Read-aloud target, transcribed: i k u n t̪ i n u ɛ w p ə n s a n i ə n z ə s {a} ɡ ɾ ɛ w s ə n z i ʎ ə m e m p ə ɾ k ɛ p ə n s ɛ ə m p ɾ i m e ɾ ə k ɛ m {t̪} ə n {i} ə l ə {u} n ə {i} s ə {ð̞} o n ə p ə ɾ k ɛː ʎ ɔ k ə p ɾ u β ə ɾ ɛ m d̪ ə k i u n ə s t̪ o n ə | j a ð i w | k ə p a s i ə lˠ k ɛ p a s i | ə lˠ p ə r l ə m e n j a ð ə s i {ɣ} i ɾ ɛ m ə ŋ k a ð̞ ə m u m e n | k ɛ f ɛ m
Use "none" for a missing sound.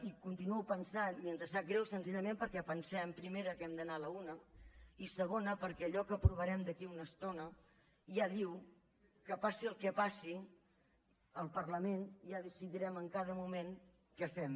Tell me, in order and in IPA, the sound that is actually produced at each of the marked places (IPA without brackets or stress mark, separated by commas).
a, d̪, a, u, i, ɣ̞, ð